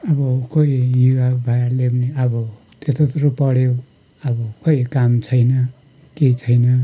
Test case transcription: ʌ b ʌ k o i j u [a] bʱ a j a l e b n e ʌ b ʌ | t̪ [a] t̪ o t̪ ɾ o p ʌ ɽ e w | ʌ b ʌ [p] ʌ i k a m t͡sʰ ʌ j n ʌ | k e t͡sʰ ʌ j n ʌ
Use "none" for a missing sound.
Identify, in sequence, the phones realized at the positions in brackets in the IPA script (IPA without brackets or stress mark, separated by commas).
a, e, k